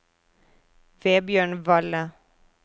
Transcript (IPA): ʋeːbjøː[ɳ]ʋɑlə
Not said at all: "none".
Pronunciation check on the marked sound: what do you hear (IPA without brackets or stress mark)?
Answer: ɳ